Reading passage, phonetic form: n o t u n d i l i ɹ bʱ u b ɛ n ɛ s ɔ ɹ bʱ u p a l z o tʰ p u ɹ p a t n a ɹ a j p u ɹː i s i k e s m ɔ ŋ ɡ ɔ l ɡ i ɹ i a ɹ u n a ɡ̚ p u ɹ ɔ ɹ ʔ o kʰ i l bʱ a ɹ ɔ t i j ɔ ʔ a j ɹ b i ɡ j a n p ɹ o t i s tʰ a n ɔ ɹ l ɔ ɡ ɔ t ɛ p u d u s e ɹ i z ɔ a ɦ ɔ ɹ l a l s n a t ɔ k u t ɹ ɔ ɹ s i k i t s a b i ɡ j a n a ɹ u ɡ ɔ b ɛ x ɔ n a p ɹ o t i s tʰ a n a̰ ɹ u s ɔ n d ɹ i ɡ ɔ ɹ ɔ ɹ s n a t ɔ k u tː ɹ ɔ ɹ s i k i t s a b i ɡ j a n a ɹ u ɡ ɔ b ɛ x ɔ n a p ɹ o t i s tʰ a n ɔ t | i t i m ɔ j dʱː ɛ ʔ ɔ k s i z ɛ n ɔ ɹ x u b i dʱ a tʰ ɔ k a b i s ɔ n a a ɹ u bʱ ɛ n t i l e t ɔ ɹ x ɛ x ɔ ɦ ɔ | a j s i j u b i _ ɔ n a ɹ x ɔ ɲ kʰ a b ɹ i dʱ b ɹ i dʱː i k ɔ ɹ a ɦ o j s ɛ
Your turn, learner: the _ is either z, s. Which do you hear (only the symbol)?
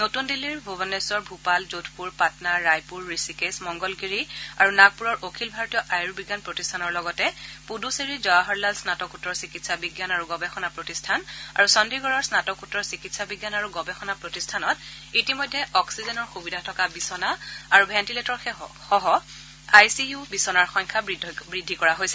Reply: s